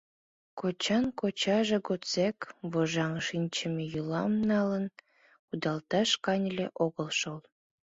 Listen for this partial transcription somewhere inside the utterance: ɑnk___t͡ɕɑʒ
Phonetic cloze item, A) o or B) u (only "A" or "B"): A